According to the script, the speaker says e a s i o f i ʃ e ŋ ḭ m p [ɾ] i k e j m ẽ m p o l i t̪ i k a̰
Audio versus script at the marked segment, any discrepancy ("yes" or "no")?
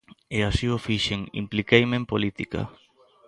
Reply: yes